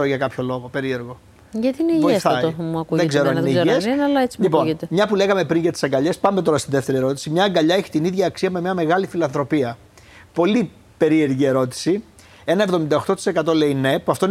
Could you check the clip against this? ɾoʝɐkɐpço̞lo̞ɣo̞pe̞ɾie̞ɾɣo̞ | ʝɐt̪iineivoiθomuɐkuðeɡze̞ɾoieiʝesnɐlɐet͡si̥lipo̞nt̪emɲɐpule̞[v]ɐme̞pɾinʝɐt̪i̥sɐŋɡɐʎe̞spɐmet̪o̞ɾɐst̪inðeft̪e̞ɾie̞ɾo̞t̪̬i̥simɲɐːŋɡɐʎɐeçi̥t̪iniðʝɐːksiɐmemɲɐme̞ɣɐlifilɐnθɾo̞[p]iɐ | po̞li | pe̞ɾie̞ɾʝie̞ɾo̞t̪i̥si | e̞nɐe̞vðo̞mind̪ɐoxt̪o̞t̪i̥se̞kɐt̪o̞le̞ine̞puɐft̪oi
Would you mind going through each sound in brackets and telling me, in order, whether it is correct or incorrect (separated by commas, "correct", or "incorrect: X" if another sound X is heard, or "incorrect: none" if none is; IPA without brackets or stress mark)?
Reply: incorrect: ɣ, correct